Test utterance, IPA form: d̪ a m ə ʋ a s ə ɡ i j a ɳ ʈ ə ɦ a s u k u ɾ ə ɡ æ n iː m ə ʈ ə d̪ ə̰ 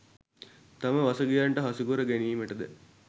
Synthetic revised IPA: t̪ a m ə ʋ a s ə ɡ i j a ɳ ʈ ə ɦ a s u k u ɾ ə ɡ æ n iː m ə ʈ ə d̪ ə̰